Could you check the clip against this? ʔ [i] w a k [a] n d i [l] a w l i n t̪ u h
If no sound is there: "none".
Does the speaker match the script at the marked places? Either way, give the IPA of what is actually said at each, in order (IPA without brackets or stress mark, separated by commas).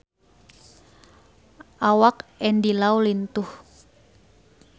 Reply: a, ɛ, l